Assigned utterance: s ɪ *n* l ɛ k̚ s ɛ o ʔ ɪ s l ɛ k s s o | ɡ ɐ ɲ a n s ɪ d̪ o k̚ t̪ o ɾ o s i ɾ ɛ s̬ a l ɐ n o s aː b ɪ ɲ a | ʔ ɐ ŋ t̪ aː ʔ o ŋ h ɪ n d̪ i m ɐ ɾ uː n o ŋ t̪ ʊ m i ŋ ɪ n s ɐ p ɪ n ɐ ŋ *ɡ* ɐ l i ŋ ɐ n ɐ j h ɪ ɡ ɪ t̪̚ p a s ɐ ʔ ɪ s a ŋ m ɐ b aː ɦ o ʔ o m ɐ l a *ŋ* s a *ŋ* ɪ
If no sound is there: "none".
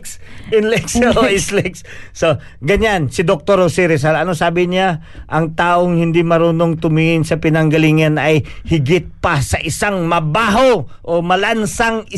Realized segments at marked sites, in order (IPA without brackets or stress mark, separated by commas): n, ɡ, n, ŋ